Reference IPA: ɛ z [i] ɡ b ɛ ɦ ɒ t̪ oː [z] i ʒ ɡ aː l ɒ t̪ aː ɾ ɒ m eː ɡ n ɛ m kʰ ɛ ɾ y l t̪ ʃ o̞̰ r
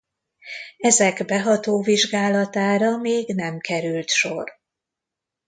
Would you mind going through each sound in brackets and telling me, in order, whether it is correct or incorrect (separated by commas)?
incorrect, incorrect